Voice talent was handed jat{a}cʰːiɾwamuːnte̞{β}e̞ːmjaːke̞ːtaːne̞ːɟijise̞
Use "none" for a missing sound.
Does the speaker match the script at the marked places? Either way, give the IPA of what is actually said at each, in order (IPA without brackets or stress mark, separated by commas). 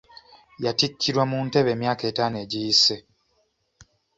i, β